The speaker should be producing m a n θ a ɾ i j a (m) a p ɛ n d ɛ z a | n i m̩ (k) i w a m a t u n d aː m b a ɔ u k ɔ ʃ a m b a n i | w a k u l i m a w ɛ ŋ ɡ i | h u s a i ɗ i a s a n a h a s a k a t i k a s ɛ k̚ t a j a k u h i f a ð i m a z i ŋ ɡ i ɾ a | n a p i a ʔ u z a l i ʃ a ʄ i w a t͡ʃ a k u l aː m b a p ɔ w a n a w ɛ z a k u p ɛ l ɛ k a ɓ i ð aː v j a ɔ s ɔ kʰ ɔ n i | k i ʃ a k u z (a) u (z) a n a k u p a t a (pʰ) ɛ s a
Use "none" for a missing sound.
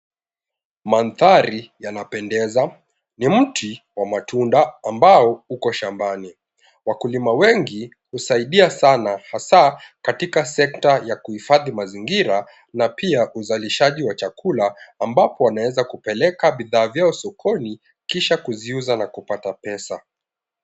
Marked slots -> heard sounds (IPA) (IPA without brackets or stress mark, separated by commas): n, t, i, z, p